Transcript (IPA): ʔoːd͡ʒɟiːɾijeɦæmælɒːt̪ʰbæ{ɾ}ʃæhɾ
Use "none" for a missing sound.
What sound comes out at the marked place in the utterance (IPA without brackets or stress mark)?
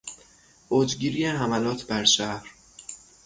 ɾ